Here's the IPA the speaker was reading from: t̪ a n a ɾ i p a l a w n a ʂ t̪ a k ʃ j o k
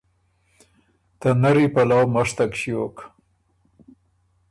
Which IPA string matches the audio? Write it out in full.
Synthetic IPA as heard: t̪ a n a ɾ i p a l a w m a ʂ t̪ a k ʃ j o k